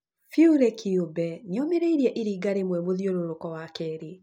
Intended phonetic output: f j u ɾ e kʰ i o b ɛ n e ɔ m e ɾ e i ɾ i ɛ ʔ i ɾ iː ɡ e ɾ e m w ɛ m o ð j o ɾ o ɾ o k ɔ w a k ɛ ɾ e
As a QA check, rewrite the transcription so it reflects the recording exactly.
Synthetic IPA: f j u ɾ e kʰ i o b ɛ n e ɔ m e ɾ e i ɾ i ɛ ʔ i ɾ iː ɡ a ɾ e m w ɛ m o ð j o ɾ o ɾ o k ɔ w a k ɛ ɾ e